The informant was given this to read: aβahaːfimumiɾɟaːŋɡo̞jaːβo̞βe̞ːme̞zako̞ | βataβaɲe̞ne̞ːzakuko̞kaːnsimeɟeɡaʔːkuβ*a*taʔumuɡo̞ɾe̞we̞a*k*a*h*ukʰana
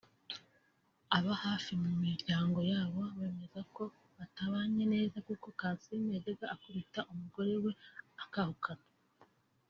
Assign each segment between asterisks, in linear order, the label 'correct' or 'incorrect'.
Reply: incorrect: i, correct, correct

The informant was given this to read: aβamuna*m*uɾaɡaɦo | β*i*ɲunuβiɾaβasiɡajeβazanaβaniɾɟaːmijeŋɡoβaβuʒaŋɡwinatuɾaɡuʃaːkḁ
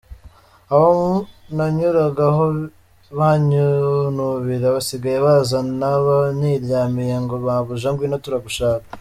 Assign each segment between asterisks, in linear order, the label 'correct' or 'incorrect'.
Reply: incorrect: ɲ, incorrect: a

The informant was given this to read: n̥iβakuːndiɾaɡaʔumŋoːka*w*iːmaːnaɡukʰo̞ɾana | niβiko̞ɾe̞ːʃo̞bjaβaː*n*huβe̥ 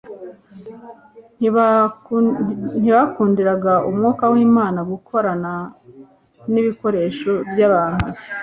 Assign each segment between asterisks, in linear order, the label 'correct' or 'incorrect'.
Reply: correct, correct

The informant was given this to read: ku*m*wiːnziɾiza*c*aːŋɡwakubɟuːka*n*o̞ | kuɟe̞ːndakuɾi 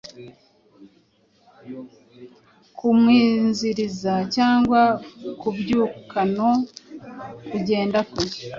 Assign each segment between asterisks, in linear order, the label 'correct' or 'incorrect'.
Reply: correct, correct, correct

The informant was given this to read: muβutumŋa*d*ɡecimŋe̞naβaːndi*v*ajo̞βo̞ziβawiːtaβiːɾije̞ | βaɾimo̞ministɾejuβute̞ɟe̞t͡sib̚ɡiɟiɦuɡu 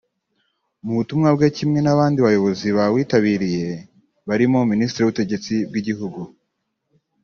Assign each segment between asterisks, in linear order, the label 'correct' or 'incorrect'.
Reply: incorrect: b, incorrect: β

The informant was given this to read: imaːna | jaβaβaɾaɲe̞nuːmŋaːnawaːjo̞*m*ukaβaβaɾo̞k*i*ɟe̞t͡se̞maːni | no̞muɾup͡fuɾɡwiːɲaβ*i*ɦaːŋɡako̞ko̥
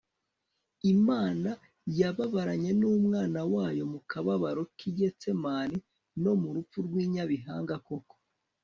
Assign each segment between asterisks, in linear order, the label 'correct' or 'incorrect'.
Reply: correct, correct, correct

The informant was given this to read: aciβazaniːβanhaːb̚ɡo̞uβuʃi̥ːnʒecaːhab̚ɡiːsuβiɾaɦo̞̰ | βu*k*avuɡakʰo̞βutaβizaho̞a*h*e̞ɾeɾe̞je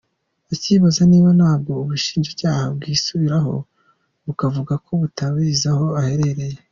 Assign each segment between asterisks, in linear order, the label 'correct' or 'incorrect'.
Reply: correct, correct

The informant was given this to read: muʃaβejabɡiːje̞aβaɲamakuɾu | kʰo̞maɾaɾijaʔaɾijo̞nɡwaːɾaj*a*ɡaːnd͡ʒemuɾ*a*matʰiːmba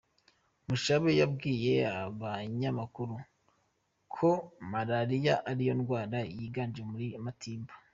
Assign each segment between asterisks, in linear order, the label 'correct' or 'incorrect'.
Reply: incorrect: i, incorrect: i

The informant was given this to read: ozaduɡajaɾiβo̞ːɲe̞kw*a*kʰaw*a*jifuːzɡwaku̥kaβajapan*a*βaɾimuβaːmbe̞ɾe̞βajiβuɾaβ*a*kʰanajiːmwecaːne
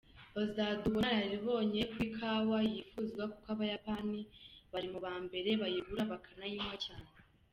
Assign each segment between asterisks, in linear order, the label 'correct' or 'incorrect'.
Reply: incorrect: i, correct, incorrect: i, correct

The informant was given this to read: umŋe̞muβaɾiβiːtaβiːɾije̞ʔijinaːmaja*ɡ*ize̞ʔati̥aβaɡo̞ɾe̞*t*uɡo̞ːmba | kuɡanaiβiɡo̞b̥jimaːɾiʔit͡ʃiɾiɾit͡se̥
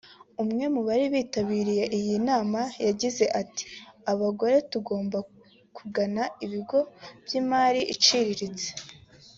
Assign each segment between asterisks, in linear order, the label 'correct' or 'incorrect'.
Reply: incorrect: ɟ, correct

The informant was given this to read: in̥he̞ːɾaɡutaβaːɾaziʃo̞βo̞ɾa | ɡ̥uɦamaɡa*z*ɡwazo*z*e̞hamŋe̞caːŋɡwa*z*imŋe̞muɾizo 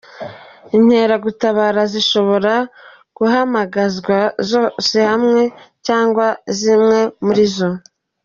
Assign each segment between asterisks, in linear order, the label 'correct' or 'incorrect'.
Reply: correct, incorrect: s, correct

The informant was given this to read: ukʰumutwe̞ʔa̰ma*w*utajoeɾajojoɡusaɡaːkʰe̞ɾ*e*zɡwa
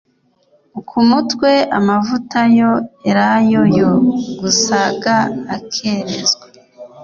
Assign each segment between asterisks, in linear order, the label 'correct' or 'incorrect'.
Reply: incorrect: v, correct

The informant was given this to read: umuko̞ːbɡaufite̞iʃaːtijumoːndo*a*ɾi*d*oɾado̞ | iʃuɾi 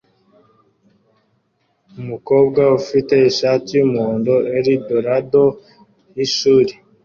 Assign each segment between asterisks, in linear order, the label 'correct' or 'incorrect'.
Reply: incorrect: e, correct

